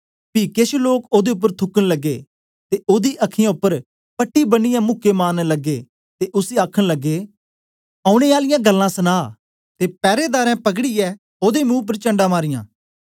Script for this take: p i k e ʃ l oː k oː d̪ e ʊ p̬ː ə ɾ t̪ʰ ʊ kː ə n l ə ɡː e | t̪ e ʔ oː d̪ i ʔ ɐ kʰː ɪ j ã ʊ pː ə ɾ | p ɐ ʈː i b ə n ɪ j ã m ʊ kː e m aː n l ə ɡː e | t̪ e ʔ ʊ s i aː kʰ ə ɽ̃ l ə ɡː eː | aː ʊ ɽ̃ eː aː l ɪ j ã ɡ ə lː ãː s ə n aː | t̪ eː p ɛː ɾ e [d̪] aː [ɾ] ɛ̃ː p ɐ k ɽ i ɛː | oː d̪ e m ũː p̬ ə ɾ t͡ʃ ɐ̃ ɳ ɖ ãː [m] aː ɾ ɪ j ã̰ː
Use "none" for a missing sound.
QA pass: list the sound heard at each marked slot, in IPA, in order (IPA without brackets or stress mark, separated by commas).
d̪, ɾ, m